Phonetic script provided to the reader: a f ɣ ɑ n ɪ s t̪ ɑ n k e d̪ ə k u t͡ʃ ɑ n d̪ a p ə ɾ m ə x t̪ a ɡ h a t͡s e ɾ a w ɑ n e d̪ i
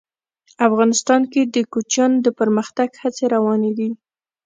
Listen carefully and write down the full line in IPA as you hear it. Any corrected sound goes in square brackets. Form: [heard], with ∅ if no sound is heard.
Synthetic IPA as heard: a f ɣ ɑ n ɪ s t̪ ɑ n k e d̪ ə k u t͡ʃ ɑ n d̪ [ə] p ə ɾ m ə x t̪ a ɡ h a t͡s e ɾ a w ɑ n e d̪ i